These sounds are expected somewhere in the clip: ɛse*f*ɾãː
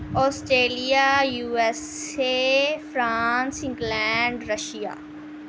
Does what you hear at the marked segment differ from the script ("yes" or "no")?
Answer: no